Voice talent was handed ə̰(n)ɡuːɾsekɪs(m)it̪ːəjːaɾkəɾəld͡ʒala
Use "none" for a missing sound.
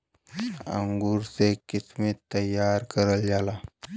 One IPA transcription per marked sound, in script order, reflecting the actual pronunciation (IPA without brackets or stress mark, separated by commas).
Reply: ŋ, m